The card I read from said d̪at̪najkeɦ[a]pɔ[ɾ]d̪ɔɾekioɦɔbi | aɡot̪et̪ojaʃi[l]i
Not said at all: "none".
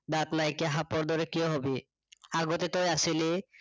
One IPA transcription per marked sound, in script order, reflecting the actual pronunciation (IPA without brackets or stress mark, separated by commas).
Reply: a, ɾ, l